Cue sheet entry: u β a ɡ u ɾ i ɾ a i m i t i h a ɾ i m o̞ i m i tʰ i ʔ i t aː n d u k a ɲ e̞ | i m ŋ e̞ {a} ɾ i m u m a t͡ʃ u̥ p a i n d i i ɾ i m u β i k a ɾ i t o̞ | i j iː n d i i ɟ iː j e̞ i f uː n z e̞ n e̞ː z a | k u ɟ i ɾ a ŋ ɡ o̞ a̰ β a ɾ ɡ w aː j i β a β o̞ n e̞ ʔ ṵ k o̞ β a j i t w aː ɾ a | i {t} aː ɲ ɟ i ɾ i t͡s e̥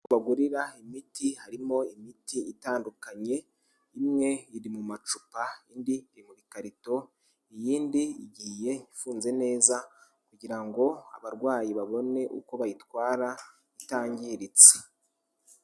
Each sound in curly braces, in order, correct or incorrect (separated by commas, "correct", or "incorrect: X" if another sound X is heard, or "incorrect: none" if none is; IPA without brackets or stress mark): incorrect: i, correct